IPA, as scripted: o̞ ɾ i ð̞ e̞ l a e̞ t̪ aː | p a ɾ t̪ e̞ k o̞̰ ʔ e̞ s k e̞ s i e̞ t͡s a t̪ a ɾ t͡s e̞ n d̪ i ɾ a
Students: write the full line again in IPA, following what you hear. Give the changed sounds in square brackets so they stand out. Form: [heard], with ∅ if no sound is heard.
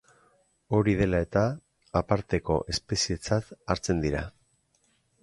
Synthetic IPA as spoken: o̞ ɾ i ð̞ e̞ l a e̞ t̪ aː | p a ɾ t̪ e̞ k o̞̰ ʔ e̞ s [p] e̞ s i e̞ t͡s a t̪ a ɾ t͡s e̞ n d̪ i ɾ a

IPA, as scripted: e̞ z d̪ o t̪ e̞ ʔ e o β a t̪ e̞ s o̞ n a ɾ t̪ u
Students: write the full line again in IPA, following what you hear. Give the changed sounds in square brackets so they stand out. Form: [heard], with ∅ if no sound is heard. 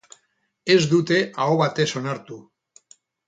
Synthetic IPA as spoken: e̞ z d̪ [u] t̪ e̞ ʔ [a] o β a t̪ e̞ s o̞ n a ɾ t̪ u

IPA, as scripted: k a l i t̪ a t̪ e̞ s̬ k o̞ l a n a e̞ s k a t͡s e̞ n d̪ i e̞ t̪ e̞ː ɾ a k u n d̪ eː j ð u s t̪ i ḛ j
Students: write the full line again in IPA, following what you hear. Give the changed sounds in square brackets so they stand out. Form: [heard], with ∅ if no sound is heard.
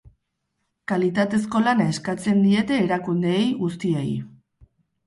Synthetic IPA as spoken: k a l i t̪ a t̪ e̞ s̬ k o̞ l a n a e̞ s k a t͡s e̞ n d̪ i e̞ t̪ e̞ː ɾ a k u n d̪ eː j [ɣ] u s t̪ i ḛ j

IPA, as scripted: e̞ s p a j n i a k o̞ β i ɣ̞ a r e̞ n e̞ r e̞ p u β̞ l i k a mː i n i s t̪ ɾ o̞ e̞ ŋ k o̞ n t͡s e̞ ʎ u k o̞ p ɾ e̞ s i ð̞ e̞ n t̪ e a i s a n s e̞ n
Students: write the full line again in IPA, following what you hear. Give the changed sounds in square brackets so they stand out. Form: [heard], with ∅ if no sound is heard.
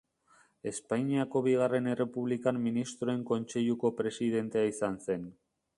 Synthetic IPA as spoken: e̞ s p a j [ɲ] i a k o̞ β i ɣ̞ a r e̞ n e̞ r e̞ p u β̞ l i k a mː i n i s t̪ ɾ o̞ e̞ ŋ k o̞ n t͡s e̞ ʎ u k o̞ p ɾ e̞ s i ð̞ e̞ n t̪ e a i s a n s e̞ n

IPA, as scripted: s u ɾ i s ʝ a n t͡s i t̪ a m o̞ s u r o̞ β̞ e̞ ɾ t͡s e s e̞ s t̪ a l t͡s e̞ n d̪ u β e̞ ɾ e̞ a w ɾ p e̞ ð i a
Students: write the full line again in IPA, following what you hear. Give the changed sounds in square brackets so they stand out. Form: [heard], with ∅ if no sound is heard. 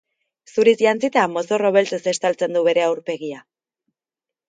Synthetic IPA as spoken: s u ɾ i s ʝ a n t͡s i t̪ a m o̞ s [o] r o̞ β̞ e̞ [l] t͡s e s e̞ s t̪ a l t͡s e̞ n d̪ u β e̞ ɾ e̞ a w ɾ p e̞ [ɣ] i a

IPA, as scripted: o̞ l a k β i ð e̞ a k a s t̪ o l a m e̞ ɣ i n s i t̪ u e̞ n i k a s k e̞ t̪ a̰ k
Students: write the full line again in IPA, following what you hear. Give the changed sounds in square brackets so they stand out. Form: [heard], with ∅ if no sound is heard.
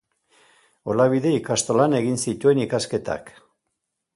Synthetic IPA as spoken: o̞ l a [∅] β i ð e̞ [i] k a s t̪ o l a [n] e̞ ɣ i n s i t̪ u e̞ n i k a s k e̞ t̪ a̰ k

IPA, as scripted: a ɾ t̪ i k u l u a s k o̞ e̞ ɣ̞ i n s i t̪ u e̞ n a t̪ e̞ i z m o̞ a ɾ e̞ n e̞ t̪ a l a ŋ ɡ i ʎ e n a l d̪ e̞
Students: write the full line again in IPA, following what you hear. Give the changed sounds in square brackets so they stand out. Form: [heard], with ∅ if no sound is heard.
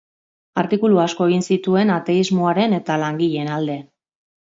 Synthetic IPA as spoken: a ɾ t̪ i k u l u a s k o̞ e̞ ɣ̞ i n s i t̪ u e̞ n a t̪ e̞ i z m o̞ a ɾ e̞ n e̞ t̪ a l a ŋ ɡ i ʎ e n a l d̪ e̞

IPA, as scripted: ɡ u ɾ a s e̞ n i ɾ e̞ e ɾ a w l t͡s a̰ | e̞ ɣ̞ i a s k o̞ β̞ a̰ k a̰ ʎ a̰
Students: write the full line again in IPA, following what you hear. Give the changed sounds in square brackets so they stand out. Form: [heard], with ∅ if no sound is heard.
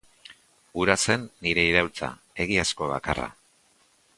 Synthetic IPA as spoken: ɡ u ɾ a s e̞ [nː] i ɾ e̞ [i] ɾ a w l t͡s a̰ | e̞ ɣ̞ i a s k o̞ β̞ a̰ k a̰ [r] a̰

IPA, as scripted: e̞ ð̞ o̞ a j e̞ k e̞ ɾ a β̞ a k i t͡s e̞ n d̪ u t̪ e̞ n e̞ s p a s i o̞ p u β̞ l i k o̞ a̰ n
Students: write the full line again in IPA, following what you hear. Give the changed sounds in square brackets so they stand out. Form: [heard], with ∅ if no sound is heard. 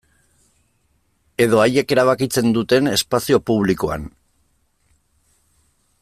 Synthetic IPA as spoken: e̞ ð̞ o̞ a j e̞ k e̞ ɾ a β̞ a k i t͡s e̞ n d̪ u t̪ e̞ n e̞ s p a s i o̞ p u β̞ l i k o̞ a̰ n

